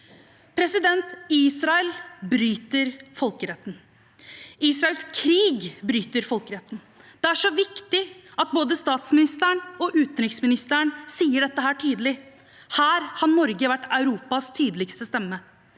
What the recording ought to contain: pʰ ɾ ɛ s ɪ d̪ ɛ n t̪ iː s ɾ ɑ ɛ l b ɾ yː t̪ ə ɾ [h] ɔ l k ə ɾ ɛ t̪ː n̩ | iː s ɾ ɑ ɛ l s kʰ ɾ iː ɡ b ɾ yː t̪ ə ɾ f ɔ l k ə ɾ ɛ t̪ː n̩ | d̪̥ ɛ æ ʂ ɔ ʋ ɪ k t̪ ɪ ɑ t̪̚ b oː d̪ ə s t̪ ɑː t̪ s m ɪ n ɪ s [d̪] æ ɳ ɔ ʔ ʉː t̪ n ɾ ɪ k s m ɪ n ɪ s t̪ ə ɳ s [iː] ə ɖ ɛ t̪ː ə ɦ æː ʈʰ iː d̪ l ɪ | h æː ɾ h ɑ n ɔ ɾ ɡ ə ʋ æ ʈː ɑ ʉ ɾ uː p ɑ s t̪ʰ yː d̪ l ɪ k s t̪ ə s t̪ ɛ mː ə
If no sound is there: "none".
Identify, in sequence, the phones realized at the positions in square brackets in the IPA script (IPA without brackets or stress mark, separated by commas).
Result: f, t̪, iː